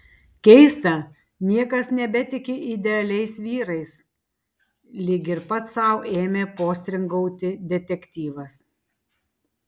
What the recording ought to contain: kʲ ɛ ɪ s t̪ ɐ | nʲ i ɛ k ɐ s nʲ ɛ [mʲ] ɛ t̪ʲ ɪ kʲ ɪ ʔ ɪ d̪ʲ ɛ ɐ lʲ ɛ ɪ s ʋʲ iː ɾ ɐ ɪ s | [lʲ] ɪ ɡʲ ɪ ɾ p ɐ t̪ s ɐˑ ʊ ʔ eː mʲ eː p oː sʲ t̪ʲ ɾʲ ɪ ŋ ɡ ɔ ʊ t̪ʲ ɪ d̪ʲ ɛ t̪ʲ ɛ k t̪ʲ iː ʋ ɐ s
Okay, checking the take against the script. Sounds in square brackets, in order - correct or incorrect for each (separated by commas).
incorrect, correct